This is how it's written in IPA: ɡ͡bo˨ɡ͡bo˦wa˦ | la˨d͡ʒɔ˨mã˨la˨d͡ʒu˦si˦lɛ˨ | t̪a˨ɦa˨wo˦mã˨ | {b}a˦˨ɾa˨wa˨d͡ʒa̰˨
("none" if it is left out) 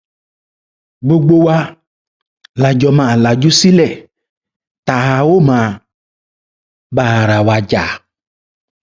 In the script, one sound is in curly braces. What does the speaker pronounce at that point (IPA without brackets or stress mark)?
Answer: b